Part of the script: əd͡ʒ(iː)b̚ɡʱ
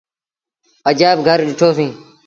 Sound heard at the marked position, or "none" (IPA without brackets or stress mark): aː